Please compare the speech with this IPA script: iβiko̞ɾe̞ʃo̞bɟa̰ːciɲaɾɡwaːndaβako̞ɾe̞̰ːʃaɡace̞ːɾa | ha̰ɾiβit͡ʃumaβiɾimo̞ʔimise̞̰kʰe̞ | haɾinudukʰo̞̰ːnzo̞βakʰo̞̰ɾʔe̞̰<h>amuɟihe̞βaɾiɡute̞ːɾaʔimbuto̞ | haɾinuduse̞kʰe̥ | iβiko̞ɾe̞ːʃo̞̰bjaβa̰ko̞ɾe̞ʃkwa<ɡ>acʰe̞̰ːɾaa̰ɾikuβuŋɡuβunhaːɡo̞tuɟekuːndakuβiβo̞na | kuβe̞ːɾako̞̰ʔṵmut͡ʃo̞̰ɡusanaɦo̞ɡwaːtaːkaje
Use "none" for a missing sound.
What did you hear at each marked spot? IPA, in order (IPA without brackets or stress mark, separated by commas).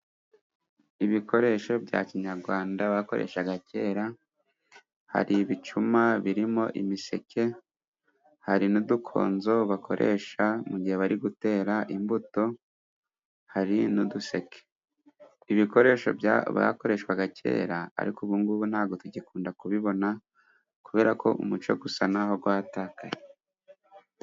ʃ, ɡ